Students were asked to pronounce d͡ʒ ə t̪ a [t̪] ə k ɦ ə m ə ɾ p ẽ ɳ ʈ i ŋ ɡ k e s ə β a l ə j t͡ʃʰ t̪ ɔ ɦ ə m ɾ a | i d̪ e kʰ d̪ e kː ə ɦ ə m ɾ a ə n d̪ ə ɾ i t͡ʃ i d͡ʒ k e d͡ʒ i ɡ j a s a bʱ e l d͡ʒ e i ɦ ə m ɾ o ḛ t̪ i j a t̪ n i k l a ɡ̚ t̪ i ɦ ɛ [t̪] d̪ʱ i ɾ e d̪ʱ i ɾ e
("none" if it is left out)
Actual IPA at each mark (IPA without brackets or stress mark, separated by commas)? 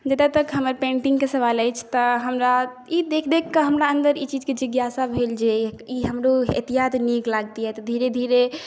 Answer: t̪, t̪